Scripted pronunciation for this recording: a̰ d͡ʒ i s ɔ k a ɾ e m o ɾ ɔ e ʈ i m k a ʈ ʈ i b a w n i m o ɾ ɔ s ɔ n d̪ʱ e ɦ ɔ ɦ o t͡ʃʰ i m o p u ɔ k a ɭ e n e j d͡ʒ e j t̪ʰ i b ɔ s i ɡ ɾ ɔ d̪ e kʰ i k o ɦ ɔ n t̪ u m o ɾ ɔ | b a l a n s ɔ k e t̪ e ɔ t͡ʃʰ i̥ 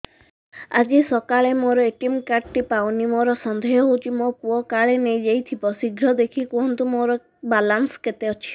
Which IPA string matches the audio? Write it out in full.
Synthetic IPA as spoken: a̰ d͡ʒ i s ɔ k a ɭ e m o ɾ ɔ e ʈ i m k a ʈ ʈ i p a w n i m o ɾ ɔ s ɔ n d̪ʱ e ɦ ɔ ɦ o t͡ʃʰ i m o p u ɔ k a ɭ e n e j d͡ʒ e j t̪ʰ i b ɔ s i ɡ ɾ ɔ d̪ e kʰ i k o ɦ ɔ n t̪ u m o ɾ ɔ | b a l a n s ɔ k e t̪ e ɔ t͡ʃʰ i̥

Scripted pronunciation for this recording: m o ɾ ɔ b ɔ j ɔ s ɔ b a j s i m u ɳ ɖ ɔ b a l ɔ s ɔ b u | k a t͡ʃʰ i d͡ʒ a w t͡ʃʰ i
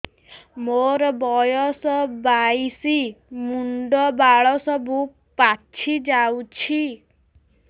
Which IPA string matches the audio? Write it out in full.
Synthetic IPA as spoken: m o ɾ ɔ b ɔ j ɔ s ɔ b a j s i m u ɳ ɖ ɔ b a ɭ ɔ s ɔ b u | p a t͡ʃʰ i d͡ʒ a w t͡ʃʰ i

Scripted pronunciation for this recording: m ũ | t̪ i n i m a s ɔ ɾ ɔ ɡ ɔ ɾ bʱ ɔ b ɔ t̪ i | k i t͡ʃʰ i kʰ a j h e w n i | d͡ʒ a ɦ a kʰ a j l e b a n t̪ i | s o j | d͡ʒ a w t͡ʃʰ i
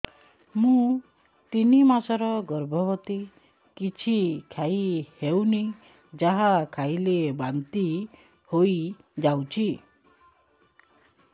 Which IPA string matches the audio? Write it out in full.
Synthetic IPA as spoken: m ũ | t̪ i n i m a s ɔ ɾ ɔ ɡ ɔ ɾ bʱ ɔ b ɔ t̪ i | k i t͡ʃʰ i kʰ a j h e w n i | d͡ʒ a ɦ a kʰ a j l e b a n t̪ i | h o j | d͡ʒ a w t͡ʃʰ i

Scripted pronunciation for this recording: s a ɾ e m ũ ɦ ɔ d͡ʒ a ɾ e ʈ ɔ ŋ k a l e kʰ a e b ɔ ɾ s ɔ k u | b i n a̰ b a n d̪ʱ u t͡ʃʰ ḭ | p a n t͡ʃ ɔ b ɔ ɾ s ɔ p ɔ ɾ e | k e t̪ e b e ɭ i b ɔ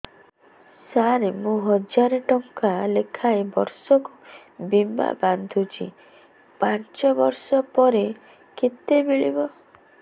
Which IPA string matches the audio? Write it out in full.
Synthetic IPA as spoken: s a ɾ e m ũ ɦ ɔ d͡ʒ a ɾ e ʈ ɔ ŋ k a l e kʰ a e b ɔ ɾ s ɔ k u | b i m a̰ b a n d̪ʱ u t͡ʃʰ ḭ | p a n t͡ʃ ɔ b ɔ ɾ s ɔ p ɔ ɾ e | k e t̪ e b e ɭ i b ɔ

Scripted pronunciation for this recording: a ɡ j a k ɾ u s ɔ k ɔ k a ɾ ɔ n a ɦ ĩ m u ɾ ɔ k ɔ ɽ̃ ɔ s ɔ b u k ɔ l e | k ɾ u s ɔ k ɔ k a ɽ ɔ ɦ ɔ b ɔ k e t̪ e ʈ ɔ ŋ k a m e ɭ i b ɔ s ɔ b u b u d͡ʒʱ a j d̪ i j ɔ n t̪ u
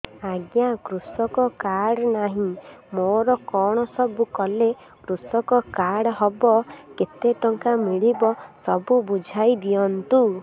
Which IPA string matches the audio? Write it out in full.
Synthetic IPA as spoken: a ɡ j a k ɾ u s ɔ k ɔ k a ɽ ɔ n a ɦ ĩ m o ɾ ɔ k ɔ ɽ̃ ɔ s ɔ b u k ɔ l e | k ɾ u s ɔ k ɔ k a ɽ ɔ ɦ ɔ b ɔ k e t̪ e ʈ ɔ ŋ k a m i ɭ i b ɔ s ɔ b u b u d͡ʒʱ a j d̪ i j ɔ n t̪ u

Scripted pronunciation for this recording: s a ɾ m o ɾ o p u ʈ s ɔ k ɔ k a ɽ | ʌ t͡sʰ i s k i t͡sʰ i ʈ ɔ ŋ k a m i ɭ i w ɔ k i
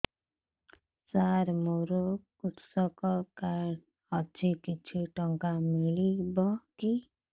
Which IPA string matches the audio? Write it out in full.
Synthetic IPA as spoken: s a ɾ m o ɾ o k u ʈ s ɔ k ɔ k a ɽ | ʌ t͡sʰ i k i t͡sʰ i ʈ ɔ ŋ k a m i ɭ i b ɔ k i

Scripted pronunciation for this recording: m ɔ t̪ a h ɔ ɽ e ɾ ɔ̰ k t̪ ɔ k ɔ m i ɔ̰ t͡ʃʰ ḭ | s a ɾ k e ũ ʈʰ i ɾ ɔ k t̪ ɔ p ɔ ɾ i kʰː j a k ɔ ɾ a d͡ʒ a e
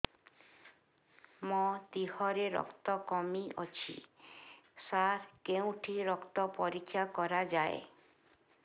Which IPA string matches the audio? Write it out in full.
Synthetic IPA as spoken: m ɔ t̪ i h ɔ ɾ e ɾ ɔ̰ k t̪ ɔ k ɔ m i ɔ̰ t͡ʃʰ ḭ | s a ɾ k e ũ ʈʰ i ɾ ɔ k t̪ ɔ p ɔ ɾ i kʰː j a k ɔ ɾ a d͡ʒ a e

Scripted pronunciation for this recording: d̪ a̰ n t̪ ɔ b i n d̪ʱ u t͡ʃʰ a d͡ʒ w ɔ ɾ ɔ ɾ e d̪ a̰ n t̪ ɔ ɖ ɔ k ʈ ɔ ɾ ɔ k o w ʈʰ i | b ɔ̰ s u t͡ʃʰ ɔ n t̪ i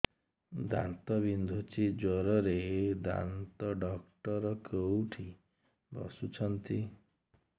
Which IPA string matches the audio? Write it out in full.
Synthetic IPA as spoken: d̪ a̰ n t̪ ɔ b i n d̪ʱ u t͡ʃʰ i d͡ʒ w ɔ ɾ ɔ ɾ e d̪ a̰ n t̪ ɔ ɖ ɔ k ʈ ɔ ɾ ɔ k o w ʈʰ i | b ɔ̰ s u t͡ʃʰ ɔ n t̪ i

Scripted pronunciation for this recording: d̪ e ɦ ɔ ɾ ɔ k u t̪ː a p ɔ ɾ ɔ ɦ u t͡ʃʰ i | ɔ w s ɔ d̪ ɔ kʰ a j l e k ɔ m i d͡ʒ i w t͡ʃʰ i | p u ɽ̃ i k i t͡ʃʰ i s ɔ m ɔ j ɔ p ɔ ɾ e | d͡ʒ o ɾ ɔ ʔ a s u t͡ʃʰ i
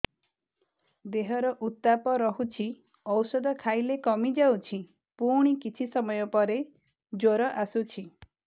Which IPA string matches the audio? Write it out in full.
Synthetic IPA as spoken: d̪ e ɦ ɔ ɾ ɔ ʔ u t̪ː a p ɔ ɾ ɔ ɦ u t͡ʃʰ i | ɔ w s ɔ d̪ ɔ kʰ a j l e k ɔ m i d͡ʒ a w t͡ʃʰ i | p u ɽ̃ i k i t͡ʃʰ i s ɔ m ɔ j ɔ p ɔ ɾ e | d͡ʒ o ɾ ɔ ʔ a s u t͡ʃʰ i

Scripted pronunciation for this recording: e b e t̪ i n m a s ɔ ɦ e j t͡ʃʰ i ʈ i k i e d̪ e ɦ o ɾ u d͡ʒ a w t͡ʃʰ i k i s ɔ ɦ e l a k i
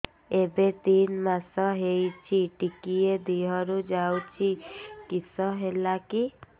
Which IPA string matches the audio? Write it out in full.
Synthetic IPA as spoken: e b e t̪ i n m a s ɔ ɦ e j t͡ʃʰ i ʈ i k i e d̪ i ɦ ɔ ɾ u d͡ʒ a w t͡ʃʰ i k i s ɔ ɦ e l a k i

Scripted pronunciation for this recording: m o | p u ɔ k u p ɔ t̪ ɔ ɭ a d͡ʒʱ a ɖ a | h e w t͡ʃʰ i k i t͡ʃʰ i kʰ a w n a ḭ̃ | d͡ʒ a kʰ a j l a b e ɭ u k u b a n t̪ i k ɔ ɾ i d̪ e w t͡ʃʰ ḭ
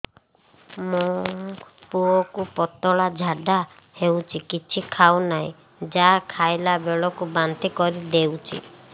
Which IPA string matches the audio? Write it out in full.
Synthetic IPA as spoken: m o | p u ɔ k u p ɔ t̪ ɔ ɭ a d͡ʒʱ a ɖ a | h e w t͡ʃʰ i k i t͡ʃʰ i kʰ a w n a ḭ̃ | d͡ʒ a kʰ a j l a b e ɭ ɔ k u b a n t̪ i k ɔ ɾ i d̪ e w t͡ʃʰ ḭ

